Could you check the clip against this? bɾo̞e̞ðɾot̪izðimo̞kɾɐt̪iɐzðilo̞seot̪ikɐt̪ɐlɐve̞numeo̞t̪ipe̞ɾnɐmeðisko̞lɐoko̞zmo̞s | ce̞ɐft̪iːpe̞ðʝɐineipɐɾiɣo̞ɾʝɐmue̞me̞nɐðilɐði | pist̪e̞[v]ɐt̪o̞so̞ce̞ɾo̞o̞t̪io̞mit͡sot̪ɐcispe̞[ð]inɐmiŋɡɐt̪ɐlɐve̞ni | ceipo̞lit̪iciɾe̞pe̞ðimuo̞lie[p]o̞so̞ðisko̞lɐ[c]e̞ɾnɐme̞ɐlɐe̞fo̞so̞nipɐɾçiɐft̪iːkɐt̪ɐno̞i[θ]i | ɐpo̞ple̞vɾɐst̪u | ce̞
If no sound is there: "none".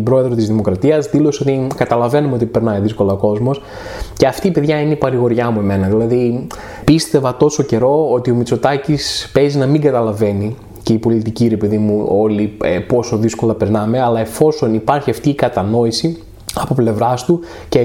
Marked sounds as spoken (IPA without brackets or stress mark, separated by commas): v, z, p, p, s